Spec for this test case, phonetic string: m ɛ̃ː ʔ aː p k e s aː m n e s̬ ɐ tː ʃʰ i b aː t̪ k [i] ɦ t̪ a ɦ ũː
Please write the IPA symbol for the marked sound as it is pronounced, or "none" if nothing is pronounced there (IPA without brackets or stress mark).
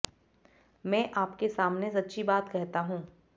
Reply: ɛ